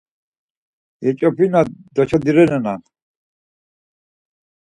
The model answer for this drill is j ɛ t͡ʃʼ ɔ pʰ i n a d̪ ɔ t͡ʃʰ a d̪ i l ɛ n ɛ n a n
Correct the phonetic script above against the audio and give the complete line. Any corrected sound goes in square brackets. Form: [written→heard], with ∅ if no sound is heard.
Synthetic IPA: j ɛ t͡ʃʼ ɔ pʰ i n a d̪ ɔ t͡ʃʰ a d̪ i [l→ɾ] ɛ n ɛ n a n